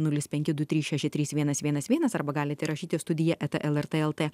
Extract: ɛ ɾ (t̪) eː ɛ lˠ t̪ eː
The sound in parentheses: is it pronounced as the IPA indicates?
yes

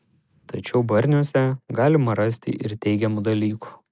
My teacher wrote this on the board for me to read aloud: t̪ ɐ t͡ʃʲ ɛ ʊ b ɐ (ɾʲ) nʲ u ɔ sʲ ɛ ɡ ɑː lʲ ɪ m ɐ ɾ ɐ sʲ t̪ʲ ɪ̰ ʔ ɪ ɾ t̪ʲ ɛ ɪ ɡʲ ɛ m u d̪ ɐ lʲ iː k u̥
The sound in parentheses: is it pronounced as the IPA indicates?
yes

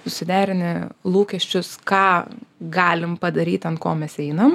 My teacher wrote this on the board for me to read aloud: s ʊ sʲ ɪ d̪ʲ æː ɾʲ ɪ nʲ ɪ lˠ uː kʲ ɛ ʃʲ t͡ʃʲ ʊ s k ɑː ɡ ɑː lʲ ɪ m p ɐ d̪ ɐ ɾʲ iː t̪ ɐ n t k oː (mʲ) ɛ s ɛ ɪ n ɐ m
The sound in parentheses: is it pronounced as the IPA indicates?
yes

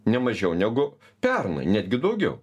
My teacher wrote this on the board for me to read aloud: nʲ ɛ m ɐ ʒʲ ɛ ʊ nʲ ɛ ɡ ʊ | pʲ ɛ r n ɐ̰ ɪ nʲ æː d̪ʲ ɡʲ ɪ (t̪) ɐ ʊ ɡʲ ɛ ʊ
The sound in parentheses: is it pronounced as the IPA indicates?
no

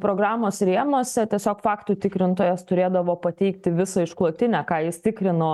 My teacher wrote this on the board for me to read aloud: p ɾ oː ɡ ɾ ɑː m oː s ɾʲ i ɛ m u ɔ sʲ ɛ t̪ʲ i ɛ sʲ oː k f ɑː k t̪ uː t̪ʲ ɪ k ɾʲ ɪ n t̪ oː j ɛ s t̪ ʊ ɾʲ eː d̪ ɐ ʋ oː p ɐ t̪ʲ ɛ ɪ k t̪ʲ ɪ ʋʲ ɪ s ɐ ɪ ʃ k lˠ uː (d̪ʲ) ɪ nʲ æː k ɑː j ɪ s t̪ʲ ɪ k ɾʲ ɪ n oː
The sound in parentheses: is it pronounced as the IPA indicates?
no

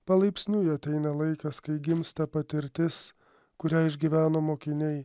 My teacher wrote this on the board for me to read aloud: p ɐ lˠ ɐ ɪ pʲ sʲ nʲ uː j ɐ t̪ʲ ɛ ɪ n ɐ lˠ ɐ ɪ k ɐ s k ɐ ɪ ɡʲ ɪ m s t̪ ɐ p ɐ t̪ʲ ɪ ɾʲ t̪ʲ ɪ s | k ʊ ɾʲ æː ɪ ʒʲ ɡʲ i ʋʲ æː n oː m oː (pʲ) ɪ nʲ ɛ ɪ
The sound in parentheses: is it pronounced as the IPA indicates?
no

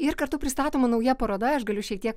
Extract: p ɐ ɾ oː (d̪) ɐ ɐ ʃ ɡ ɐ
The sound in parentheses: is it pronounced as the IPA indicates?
yes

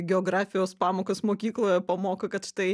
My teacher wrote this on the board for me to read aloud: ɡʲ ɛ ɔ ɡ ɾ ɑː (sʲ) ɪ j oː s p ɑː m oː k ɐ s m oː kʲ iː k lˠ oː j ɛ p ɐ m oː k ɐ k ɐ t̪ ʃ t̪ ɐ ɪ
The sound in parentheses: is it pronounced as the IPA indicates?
no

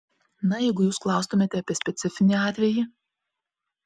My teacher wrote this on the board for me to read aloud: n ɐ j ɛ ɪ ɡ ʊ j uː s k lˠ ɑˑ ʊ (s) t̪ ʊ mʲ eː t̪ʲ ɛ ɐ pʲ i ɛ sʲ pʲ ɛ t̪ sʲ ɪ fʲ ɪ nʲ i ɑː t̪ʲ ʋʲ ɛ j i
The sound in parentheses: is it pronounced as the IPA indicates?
yes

